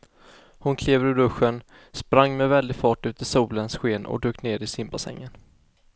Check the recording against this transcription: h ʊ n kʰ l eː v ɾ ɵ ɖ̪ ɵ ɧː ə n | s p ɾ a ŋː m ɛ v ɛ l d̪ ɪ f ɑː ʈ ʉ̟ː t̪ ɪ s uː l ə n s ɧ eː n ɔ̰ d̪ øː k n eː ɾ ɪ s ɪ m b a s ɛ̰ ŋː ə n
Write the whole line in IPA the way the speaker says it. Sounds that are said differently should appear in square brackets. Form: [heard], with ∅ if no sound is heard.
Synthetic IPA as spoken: h ʊ n kʰ l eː v ɾ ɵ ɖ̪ ɵ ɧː ə n | s p ɾ a ŋː m ɛ v ɛ l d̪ ɪ f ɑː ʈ ʉ̟ː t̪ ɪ s uː l ə n s ɧ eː n ɔ̰ d̪ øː k n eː ɾ ɪ s ɪ m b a s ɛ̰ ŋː ə n